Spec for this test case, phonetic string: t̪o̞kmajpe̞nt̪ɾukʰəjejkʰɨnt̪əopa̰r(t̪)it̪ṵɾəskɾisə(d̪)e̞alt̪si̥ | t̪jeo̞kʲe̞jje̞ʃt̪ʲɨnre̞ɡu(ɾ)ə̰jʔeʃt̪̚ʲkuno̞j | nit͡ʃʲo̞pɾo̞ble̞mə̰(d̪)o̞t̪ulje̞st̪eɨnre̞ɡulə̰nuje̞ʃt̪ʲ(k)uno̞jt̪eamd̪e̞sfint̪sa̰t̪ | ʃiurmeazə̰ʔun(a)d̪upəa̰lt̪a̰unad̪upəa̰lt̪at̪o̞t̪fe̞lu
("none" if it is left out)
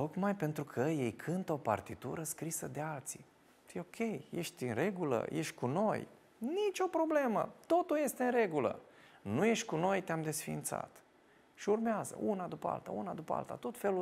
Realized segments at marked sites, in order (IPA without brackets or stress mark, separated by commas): t̪, d̪, l, t̪, k, a